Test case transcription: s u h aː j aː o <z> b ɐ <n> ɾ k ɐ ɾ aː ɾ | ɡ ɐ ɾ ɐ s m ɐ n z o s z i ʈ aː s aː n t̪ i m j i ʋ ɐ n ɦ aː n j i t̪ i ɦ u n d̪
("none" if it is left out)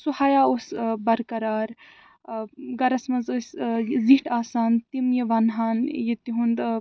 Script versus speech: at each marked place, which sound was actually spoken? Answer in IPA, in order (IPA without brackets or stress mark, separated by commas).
s, none